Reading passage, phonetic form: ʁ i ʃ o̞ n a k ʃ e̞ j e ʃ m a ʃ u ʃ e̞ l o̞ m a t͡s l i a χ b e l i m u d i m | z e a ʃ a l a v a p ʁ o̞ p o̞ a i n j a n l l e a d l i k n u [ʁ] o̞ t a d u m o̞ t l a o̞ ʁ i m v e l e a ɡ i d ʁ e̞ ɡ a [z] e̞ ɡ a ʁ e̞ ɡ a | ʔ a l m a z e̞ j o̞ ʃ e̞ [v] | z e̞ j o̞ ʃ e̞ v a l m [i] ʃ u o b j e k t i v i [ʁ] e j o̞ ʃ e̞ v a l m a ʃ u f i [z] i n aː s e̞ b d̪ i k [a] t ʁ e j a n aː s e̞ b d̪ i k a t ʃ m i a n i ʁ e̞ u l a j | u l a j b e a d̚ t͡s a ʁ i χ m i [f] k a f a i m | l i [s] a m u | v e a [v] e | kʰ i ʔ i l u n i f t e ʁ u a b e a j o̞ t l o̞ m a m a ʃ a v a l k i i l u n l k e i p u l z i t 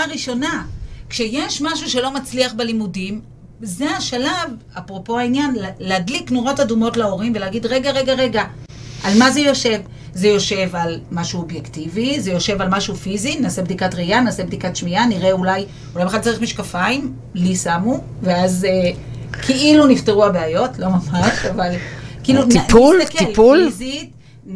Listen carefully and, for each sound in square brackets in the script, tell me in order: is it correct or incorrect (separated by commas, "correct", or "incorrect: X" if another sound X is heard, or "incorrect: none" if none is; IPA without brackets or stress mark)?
correct, incorrect: ʁ, correct, incorrect: a, incorrect: z, correct, correct, incorrect: ʃ, correct, incorrect: z